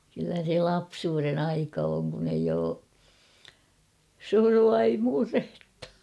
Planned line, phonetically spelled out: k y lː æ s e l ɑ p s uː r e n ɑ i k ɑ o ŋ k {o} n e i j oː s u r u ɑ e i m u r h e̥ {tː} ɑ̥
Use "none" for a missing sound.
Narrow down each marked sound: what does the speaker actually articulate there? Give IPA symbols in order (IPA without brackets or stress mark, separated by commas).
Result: u, tː